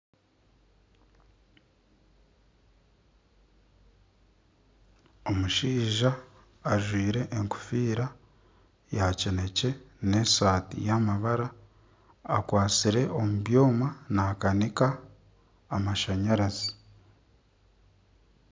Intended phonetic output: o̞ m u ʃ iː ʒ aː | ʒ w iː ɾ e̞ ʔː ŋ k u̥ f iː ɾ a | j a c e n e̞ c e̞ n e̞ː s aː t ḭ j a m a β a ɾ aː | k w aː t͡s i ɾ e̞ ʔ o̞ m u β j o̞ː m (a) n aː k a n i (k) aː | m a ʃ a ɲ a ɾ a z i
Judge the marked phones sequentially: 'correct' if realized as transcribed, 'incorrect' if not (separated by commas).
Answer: correct, correct